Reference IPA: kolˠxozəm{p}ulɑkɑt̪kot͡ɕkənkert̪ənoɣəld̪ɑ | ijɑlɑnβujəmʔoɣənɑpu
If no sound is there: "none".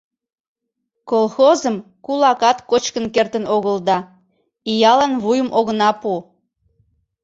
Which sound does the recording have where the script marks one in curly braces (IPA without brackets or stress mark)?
k